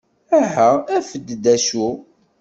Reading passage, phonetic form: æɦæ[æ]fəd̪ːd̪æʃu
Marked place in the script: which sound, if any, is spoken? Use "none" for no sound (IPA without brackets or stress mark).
æ